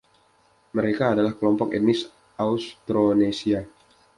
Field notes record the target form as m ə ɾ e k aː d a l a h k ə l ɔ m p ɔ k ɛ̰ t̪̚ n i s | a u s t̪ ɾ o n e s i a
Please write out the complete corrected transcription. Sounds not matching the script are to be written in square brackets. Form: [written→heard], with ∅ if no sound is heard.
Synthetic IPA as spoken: m ə ɾ e k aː d a l a h k ə l ɔ m p ɔ k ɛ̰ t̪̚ n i s | a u s t̪ ɾ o n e s i a